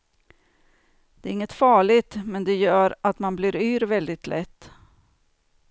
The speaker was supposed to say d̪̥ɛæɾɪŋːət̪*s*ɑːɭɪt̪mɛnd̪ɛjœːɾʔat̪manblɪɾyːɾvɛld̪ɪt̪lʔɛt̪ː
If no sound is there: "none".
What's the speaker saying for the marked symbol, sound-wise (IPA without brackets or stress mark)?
f